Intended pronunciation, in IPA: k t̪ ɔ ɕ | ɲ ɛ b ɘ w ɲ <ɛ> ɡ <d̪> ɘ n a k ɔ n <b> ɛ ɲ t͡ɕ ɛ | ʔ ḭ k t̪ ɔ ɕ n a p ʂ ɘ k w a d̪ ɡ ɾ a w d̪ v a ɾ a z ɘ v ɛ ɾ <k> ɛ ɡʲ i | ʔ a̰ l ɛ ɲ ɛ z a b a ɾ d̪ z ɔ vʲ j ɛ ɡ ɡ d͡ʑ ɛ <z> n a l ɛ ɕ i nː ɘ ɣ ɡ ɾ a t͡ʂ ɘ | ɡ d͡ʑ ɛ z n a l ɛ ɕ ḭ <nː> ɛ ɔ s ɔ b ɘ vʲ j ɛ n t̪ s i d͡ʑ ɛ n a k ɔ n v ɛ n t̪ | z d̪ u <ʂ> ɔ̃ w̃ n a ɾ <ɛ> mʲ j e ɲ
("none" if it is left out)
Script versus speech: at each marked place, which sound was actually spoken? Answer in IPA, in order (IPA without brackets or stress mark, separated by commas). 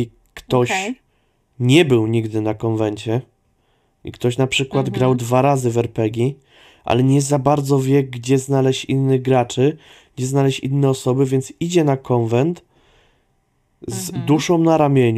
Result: i, d̪, v, p, z, nː, ʂ, a